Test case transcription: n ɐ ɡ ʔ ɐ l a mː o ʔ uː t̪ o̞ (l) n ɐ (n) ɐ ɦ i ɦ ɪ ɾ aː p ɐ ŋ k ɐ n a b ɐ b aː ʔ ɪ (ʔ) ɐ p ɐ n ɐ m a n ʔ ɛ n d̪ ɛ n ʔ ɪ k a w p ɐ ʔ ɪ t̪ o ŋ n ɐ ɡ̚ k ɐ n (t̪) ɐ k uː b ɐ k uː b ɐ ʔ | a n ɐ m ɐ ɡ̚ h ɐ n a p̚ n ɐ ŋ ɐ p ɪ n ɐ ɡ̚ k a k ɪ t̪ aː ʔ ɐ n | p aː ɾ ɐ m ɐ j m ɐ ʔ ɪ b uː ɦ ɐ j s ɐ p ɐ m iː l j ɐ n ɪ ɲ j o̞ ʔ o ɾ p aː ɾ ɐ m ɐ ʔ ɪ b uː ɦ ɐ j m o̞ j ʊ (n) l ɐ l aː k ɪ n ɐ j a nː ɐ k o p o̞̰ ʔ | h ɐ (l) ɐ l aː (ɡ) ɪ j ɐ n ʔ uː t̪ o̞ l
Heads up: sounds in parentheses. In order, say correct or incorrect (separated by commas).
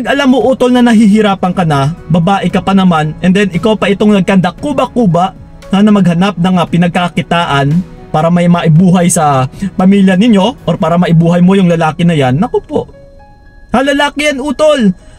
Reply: correct, correct, incorrect, incorrect, incorrect, correct, incorrect